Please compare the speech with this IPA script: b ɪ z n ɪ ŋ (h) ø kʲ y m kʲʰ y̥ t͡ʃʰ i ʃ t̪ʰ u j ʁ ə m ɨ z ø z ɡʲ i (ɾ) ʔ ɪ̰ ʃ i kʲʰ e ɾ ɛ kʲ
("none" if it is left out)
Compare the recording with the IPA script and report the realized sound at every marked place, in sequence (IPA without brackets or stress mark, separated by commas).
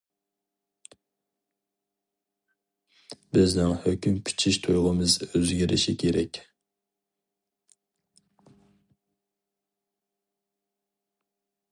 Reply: h, ɾ